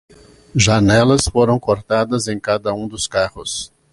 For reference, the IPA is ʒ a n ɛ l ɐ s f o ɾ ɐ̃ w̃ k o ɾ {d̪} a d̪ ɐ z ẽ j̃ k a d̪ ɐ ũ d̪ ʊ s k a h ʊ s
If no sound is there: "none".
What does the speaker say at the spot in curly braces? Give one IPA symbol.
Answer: t̪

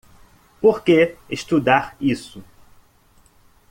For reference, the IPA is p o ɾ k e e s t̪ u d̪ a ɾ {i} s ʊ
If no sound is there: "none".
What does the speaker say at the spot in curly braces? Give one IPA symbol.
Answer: i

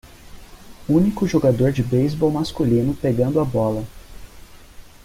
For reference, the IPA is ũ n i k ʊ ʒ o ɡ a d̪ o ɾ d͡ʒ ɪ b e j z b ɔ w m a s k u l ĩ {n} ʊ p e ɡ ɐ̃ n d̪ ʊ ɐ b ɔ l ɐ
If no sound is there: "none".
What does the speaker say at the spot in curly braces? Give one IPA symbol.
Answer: n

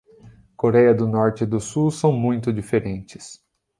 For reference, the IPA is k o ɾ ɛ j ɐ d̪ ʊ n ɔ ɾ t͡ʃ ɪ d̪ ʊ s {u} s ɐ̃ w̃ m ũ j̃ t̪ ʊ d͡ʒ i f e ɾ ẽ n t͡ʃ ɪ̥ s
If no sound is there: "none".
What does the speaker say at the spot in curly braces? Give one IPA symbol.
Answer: u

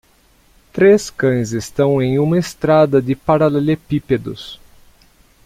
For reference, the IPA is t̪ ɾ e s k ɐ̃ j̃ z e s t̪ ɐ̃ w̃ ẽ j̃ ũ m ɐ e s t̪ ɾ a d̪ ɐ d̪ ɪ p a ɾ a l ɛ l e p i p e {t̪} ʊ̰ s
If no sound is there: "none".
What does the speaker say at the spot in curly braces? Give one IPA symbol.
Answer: d̪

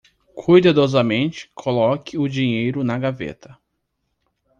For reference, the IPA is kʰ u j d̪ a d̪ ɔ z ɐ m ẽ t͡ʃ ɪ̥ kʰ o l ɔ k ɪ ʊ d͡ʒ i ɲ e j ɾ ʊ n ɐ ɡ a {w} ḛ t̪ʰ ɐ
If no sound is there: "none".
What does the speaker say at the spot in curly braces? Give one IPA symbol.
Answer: v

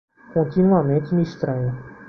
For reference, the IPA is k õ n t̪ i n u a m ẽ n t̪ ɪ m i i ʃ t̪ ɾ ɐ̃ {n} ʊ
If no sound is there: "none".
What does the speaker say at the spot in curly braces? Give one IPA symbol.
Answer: ɲ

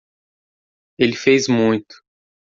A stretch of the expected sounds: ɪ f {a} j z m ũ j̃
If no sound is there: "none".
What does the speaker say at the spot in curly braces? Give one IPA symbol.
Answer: e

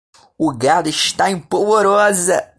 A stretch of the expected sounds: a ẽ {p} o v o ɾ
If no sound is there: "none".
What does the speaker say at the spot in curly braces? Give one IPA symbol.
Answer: p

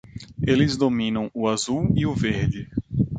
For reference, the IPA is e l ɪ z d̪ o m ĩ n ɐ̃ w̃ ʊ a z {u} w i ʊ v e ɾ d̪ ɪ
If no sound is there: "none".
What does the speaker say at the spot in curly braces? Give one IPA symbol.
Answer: u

